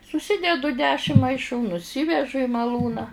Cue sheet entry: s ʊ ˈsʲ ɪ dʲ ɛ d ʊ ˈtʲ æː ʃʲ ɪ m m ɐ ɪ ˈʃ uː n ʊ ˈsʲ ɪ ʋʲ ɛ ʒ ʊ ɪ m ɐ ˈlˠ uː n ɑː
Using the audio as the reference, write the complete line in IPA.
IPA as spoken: s ʊ ˈsʲ ɪ dʲ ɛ d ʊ ˈdʲ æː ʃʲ ɪ m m ɐ ɪ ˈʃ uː n ʊ ˈsʲ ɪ ʋʲ ɛ ʒ ʊ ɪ m ɐ ˈlˠ uː n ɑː